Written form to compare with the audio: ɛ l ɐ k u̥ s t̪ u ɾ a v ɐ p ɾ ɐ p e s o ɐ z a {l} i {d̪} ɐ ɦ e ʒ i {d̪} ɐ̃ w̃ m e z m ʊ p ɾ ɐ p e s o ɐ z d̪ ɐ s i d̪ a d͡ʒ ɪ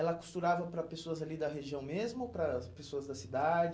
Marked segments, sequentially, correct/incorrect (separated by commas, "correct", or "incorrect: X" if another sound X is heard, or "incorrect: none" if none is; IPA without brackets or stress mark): correct, correct, incorrect: none